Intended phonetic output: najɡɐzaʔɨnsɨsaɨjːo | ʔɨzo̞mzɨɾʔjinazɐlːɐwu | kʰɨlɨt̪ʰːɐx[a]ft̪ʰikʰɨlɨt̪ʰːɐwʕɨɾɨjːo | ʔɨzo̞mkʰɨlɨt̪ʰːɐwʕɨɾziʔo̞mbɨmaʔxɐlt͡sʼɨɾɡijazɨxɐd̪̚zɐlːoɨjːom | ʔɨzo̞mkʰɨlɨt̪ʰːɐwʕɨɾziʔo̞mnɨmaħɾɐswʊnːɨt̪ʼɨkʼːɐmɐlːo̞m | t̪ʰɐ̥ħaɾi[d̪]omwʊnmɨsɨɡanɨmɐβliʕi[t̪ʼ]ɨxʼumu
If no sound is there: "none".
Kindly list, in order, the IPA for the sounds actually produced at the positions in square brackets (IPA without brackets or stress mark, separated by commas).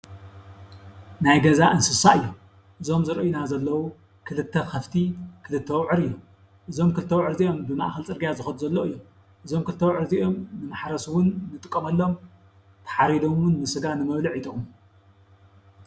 ɐ, d̪, t̪ʼ